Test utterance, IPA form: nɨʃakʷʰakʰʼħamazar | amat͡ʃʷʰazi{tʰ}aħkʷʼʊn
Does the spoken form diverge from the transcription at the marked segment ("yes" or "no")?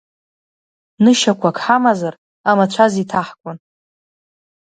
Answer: no